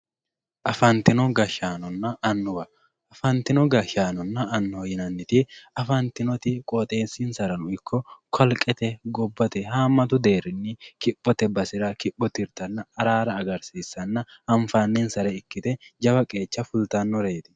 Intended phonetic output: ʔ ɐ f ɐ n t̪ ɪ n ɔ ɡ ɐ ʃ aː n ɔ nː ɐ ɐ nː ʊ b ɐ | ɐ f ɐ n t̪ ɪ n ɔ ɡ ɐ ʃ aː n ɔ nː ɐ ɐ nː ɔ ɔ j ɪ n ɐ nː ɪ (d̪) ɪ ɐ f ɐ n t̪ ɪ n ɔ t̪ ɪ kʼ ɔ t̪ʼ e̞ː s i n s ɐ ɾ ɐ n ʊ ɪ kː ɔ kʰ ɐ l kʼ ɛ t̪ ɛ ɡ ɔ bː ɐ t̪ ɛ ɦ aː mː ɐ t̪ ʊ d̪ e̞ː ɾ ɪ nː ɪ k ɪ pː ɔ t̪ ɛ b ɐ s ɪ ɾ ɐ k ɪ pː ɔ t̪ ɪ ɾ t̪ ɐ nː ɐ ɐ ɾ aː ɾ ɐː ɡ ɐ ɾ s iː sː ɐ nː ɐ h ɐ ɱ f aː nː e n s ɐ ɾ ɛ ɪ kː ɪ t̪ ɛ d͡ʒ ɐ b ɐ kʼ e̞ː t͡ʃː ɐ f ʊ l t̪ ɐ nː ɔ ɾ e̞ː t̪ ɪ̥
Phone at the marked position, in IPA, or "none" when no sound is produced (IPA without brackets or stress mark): t̪